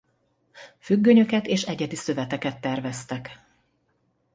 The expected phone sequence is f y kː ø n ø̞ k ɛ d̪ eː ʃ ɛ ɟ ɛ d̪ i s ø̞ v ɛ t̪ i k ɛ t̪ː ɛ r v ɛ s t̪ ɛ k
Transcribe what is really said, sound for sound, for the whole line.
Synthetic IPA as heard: f y ɡː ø ɲ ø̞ k ɛ t̪ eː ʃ ɛ ɟ ɛ d̪ i s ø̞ v ɛ t̪ ɛ k ɛ t̪ː ɛ r v ɛ s t̪ ɛ k